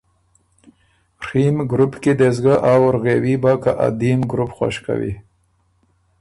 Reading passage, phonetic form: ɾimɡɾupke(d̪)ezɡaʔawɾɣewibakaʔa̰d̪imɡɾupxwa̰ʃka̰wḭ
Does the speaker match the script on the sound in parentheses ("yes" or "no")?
yes